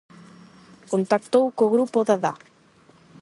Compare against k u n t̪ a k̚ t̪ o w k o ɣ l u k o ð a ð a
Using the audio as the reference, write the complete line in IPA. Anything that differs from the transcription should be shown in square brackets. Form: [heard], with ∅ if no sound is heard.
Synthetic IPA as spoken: k [o] n t̪ a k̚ t̪ o w k o ɣ [ɾ] u [p] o ð a ð a